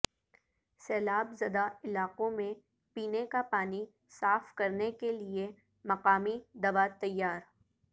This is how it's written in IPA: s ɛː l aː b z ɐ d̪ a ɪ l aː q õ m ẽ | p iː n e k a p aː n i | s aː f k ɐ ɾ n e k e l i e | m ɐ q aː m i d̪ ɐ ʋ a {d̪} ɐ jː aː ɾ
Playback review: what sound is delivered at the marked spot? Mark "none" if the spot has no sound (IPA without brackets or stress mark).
t̪